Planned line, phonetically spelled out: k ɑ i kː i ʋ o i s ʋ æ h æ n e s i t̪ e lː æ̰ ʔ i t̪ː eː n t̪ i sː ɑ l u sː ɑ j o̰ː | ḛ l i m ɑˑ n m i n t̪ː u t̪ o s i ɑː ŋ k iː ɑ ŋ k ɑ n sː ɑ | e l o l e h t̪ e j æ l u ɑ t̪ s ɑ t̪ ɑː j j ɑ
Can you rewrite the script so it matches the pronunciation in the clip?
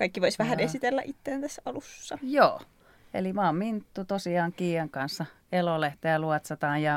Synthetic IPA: k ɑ i kː i ʋ o i s ʋ æ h æ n e s i t̪ e lː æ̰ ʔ i t̪ː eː n t̪ æ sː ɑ l u sː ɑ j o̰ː | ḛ l i m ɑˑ m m i n t̪ː u t̪ o s i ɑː ŋ k iː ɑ ŋ k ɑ n sː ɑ | e l o l e h t̪ e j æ l u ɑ t̪ s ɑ t̪ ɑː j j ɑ